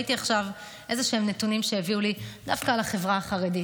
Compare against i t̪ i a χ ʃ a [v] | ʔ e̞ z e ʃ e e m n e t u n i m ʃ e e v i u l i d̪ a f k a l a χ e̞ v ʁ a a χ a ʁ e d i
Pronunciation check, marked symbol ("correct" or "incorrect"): correct